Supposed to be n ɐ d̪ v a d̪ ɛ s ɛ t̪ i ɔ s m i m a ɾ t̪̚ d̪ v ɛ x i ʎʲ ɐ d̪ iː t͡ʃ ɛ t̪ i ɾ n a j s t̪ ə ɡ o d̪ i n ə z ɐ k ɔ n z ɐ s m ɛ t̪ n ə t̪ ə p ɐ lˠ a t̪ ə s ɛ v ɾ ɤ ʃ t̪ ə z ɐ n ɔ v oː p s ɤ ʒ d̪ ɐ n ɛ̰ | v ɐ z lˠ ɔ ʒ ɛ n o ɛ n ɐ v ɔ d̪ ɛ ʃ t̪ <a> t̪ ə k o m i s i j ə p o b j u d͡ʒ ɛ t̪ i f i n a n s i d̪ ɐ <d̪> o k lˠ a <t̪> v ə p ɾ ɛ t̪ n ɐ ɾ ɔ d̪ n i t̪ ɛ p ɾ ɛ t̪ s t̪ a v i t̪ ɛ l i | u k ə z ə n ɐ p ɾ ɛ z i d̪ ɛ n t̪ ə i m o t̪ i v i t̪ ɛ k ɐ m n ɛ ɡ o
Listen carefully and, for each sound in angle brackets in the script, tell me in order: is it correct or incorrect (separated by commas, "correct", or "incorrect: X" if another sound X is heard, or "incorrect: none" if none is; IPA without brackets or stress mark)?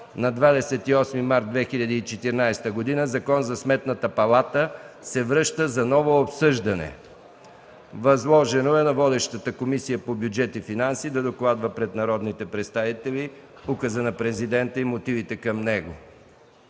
incorrect: ə, correct, incorrect: d̪